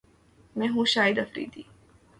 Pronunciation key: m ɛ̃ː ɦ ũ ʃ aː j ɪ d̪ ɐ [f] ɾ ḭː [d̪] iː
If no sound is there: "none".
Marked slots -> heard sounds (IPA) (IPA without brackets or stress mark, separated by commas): f, d̪